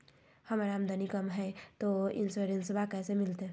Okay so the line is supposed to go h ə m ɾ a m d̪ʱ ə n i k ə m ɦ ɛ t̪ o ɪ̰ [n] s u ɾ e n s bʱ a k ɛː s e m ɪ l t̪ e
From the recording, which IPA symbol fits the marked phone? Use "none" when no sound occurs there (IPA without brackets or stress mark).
n